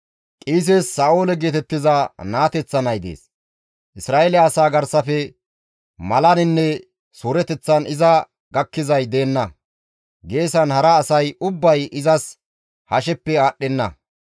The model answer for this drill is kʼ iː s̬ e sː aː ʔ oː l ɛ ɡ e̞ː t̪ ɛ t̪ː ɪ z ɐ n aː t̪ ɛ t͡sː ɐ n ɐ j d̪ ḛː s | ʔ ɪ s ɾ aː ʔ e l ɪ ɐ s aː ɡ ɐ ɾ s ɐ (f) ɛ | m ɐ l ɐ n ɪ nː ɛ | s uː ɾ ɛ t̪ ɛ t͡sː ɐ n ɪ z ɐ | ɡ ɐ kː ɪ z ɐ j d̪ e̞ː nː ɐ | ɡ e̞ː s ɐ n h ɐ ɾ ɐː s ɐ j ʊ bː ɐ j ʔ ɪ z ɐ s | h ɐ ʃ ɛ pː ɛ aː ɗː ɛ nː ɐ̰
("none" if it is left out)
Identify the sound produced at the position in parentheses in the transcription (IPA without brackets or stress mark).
f